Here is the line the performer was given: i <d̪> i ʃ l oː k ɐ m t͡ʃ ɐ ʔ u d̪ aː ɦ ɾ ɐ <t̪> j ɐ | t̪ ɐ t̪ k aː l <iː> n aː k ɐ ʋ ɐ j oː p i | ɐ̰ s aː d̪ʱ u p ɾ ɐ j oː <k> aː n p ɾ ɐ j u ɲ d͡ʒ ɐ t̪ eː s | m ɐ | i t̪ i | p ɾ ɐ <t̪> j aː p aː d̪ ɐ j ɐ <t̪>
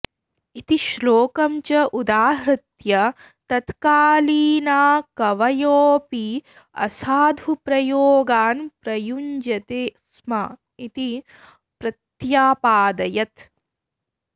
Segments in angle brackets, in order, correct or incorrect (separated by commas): incorrect, correct, correct, incorrect, correct, correct